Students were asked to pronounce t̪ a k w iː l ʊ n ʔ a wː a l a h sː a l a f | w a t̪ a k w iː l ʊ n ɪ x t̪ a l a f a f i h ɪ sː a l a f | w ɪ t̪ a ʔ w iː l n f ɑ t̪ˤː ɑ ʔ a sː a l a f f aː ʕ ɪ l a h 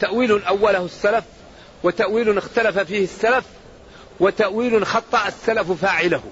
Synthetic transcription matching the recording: t̪ a ʔ w iː l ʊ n ʔ a wː a l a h sː a l a f | w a t̪ a ʔ w iː l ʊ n ɪ x t̪ a l a f a f iː h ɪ sː a l a f | w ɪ t̪ a ʔ w iː l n x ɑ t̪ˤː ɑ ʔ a sː a l a f f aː ʕ ɪ l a h